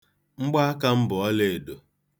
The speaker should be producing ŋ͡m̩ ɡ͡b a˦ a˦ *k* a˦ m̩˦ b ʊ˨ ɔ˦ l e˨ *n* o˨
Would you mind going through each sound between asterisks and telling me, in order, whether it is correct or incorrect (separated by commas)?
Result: correct, incorrect